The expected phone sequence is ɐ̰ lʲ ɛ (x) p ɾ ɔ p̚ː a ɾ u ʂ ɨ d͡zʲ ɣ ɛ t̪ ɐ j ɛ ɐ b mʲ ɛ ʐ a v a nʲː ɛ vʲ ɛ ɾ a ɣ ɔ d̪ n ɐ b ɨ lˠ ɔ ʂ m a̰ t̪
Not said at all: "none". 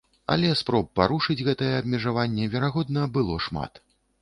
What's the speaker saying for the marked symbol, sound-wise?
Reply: s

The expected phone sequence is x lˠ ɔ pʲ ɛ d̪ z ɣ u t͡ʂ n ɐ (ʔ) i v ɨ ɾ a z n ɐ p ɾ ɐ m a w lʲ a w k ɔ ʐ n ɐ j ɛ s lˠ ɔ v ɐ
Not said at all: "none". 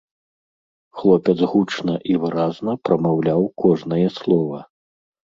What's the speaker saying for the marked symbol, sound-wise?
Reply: ʔ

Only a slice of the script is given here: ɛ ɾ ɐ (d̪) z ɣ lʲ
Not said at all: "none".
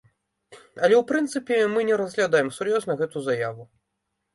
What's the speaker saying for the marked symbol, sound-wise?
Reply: none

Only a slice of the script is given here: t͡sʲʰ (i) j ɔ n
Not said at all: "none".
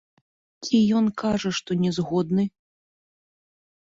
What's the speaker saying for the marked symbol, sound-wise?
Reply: i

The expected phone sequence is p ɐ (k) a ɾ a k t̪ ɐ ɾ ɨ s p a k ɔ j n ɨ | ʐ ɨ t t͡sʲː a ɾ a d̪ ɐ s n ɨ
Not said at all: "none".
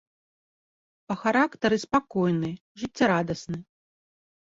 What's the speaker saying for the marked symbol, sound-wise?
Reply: x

